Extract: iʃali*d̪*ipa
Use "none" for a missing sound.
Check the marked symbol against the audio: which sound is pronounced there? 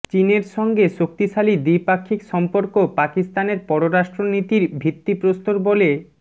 d̪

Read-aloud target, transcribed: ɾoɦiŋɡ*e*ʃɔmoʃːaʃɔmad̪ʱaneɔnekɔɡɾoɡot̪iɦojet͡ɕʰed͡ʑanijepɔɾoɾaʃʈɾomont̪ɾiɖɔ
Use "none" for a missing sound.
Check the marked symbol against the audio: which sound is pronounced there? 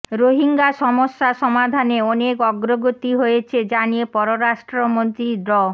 a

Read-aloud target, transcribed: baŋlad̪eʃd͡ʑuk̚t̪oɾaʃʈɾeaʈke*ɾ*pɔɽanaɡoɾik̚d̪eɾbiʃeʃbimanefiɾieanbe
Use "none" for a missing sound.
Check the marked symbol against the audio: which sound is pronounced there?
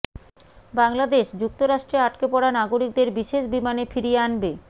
none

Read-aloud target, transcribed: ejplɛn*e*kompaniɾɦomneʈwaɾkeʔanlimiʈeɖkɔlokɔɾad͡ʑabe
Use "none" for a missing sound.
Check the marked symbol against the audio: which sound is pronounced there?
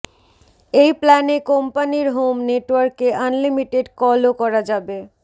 e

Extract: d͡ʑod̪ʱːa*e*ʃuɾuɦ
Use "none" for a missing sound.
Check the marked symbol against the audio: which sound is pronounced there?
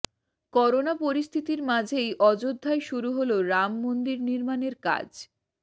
e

